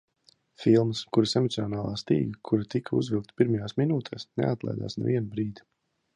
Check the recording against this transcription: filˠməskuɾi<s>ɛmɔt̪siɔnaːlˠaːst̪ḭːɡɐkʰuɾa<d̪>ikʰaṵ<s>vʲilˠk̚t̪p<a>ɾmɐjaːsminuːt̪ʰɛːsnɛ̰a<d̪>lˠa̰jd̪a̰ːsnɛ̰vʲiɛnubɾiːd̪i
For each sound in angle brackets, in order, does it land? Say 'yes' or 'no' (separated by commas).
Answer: yes, no, no, no, no